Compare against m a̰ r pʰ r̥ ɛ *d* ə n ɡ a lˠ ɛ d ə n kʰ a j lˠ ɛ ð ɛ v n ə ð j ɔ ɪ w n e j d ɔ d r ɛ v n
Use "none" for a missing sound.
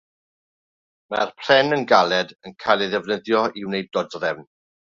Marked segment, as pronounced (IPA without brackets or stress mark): n